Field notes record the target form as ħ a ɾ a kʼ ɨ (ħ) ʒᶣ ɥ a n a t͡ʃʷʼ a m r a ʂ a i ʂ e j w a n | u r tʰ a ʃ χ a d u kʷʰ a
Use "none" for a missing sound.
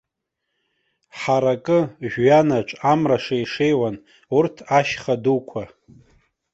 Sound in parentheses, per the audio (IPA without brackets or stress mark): none